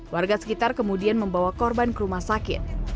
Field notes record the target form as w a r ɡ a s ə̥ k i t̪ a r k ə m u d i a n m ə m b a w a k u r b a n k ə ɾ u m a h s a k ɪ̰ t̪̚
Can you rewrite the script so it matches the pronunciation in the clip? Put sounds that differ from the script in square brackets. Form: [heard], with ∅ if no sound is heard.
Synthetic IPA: w a r ɡ a s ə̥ k i t̪ a r k ə m u d i a n m ə m b a w a k [ɔ] r b a n k ə ɾ u m a h s a k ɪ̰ t̪̚